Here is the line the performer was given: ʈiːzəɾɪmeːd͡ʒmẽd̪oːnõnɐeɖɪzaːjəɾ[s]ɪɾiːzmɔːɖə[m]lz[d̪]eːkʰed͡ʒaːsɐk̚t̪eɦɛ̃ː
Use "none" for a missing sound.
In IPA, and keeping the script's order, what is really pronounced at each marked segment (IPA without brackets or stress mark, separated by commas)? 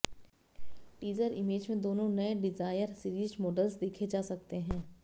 s, none, d̪